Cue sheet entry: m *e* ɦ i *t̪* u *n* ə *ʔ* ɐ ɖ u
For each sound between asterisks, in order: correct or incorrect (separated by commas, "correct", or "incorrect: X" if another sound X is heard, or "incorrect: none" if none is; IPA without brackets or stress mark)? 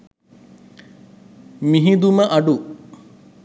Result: incorrect: i, incorrect: d̪, incorrect: m, correct